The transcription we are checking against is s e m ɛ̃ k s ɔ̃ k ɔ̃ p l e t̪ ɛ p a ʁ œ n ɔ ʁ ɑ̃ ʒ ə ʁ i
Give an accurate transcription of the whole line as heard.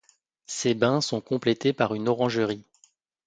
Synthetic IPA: s e b ɛ̃ s ɔ̃ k ɔ̃ p l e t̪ e p a ʁ y n ɔ ʁ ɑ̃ ʒ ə ʁ i

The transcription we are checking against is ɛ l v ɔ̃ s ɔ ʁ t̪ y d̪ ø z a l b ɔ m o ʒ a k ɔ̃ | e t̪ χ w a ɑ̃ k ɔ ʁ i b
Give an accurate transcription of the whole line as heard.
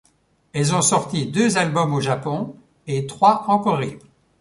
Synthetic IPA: ɛ l z ɔ̃ s ɔ ʁ t̪ i d̪ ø z a l b ɔ m o ʒ a p ɔ̃ | e t̪ χ w a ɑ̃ k ɔ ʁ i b

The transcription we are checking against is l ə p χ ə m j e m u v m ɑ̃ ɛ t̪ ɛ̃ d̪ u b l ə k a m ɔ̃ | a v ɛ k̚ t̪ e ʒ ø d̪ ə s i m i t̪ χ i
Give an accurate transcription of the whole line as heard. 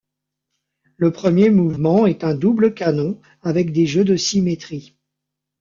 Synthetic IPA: l ə p χ ə m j e m u v m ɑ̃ ɛ t̪ ɛ̃ d̪ u b l ə k a n ɔ̃ | a v ɛ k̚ d̪ e ʒ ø d̪ ə s i m e t̪ χ i

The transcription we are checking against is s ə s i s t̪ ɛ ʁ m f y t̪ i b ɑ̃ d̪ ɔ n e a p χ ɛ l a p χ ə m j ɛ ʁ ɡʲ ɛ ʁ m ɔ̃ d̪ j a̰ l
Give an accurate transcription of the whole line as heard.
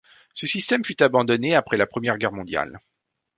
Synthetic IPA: s ə s i s t̪ ɛ m f y t̪ a b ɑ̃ d̪ ɔ n e a p χ ɛ l a p χ ə m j ɛ ʁ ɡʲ ɛ ʁ m ɔ̃ d̪ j a̰ l

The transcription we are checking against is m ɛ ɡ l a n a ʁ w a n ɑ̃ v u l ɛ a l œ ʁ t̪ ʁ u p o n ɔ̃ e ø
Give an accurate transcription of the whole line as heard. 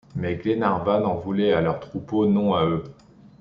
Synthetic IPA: m ɛ ɡ l e n a ʁ v a n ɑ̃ v u l ɛ a l œ ʁ t̪ χ u p o n ɔ̃ a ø

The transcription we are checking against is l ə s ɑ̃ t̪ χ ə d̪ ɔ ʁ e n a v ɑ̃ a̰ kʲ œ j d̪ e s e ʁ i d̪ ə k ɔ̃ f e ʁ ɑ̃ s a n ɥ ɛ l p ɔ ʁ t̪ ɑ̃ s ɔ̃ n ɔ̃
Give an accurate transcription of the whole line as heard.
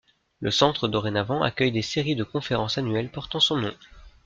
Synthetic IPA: l ə s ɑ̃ t̪ χ ə d̪ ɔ ʁ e n a v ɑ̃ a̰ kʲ œ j d̪ e s e ʁ i d̪ ə k ɔ̃ f e ʁ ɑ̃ s a n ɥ ɛ l p ɔ ʁ t̪ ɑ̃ s ɔ̃ n ɔ̃

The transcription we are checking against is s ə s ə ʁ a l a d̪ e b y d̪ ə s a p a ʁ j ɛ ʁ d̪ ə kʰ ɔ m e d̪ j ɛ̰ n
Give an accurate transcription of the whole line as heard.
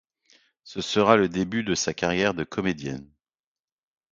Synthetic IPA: s ə s ə ʁ a l ə d̪ e b y d̪ ə s a k a ʁ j ɛ ʁ d̪ ə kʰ ɔ m e d̪ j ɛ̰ n

